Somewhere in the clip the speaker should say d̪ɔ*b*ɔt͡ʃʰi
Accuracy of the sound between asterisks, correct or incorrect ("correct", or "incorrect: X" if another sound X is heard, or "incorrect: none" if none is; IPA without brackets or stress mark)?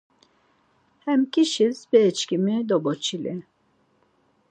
correct